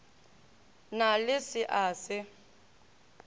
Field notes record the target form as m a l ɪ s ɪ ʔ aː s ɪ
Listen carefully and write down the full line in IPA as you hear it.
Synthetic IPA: n a l ɪ s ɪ ʔ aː s ɪ